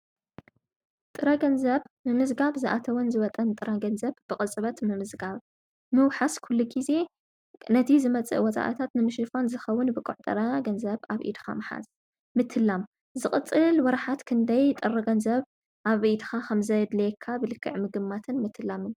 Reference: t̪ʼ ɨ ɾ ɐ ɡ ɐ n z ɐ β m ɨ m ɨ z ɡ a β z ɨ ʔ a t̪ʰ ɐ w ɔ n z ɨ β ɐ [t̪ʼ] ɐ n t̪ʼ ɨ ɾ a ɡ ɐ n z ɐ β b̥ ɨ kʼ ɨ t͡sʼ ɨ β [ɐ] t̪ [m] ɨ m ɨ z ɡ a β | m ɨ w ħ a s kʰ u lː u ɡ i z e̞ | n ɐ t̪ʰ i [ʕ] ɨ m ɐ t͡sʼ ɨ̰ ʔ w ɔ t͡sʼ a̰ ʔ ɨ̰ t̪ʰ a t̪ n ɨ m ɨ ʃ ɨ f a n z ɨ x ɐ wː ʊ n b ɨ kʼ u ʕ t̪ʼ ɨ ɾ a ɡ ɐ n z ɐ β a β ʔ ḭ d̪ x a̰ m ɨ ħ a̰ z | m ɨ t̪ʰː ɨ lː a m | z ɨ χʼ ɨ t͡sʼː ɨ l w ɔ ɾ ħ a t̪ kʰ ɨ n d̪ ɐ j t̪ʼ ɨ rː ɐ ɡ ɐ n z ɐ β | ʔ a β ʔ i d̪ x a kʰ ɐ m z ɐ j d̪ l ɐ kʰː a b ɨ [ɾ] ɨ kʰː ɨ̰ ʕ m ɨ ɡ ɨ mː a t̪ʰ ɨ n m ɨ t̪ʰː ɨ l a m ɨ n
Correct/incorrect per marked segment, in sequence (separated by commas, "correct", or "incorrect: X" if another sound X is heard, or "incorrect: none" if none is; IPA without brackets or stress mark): correct, correct, correct, incorrect: z, incorrect: l